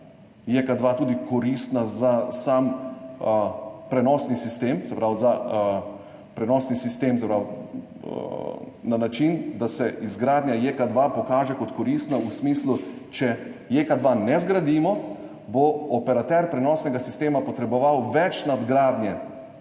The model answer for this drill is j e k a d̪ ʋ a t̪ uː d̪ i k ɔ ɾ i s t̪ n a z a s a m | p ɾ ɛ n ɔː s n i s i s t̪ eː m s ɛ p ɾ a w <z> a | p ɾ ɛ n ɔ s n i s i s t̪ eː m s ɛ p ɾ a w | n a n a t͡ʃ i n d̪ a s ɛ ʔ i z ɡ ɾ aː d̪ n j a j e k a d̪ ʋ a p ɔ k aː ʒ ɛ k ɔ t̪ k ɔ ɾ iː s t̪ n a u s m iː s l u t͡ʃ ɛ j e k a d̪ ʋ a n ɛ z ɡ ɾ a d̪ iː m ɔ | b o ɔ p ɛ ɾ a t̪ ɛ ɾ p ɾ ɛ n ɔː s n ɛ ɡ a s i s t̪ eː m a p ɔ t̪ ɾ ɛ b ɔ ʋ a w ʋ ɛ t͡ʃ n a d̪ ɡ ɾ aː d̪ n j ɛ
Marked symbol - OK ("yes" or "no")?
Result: yes